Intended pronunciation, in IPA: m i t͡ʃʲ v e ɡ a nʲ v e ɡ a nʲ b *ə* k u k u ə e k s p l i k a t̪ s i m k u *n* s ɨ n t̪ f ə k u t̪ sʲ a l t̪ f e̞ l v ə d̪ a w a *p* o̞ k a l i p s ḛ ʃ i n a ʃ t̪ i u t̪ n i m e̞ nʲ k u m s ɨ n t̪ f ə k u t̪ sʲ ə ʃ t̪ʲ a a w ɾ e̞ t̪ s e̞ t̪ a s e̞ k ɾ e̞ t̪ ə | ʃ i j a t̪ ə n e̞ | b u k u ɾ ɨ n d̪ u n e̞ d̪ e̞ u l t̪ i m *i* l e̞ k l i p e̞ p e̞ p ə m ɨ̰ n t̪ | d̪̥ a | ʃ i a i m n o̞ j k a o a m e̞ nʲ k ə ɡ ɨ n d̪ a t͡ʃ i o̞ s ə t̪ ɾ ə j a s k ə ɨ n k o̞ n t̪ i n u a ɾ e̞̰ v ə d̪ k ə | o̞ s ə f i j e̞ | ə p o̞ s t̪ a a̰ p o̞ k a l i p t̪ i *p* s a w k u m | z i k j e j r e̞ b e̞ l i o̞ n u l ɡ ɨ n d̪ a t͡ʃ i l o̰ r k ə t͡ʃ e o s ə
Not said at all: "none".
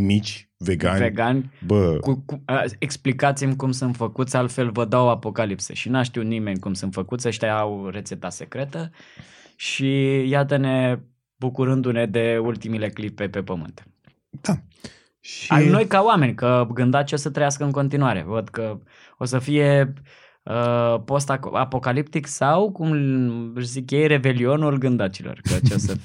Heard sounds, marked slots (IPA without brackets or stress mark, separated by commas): ə, m, p, i, k